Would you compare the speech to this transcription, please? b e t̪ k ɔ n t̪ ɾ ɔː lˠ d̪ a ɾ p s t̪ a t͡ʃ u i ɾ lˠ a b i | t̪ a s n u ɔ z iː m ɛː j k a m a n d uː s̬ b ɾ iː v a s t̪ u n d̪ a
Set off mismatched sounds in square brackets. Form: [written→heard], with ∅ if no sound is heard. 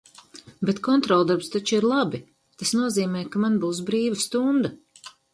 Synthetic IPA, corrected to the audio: b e t̪ k ɔ n t̪ ɾ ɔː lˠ d̪ a ɾ p s t̪ a t͡ʃ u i ɾ lˠ a b i | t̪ a s n u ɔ z iː m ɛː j k a m a n [d→b] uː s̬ b ɾ iː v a s t̪ u n d̪ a

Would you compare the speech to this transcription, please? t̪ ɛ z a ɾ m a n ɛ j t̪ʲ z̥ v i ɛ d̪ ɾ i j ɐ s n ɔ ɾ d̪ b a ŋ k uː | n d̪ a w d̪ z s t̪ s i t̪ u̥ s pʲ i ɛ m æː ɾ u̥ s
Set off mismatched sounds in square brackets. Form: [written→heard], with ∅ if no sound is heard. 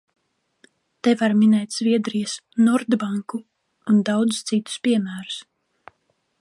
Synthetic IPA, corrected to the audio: t̪ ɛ [z→v] a ɾ m [a→i] n ɛ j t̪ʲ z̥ v i ɛ d̪ ɾ i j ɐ s n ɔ ɾ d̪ b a ŋ k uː | n d̪ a w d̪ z s t̪ s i t̪ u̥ s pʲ i ɛ m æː ɾ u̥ s

